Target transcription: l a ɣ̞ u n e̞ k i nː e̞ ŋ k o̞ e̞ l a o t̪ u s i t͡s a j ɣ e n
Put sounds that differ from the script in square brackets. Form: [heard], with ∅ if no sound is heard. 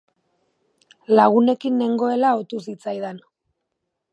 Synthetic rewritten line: l a ɣ̞ u n e̞ k i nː e̞ ŋ [ɡ] o̞ e̞ l a o t̪ u s i t͡s a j [ð] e n